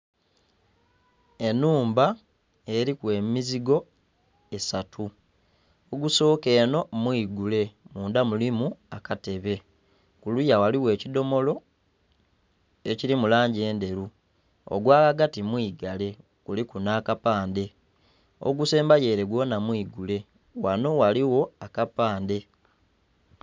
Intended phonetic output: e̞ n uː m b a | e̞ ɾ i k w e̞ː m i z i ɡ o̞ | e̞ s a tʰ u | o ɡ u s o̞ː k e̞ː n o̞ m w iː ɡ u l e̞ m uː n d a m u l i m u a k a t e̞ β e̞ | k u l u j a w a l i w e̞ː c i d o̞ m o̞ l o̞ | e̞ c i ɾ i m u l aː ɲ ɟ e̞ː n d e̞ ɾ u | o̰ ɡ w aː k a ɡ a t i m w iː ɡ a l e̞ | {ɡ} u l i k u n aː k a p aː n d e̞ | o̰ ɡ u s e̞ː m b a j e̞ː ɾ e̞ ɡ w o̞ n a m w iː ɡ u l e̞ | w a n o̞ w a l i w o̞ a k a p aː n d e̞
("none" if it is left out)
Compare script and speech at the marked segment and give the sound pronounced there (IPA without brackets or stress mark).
k